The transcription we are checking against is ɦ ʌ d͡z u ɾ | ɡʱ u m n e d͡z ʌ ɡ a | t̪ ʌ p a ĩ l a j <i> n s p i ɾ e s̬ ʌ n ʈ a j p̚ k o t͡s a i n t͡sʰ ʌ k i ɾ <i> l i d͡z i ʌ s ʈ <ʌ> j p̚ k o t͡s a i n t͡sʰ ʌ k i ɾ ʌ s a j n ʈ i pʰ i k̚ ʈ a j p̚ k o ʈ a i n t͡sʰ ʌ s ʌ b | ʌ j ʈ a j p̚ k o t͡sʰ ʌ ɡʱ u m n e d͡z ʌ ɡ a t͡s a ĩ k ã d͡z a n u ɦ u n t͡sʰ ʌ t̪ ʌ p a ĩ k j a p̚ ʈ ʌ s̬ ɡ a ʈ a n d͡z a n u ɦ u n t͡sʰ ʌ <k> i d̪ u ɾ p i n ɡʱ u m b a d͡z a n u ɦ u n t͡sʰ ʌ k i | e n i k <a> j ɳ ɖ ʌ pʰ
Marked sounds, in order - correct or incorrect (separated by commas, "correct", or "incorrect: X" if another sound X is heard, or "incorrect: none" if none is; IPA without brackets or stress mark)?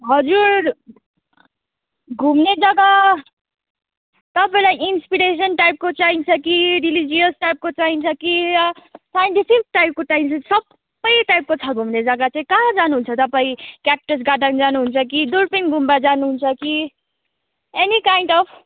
correct, correct, incorrect: a, correct, correct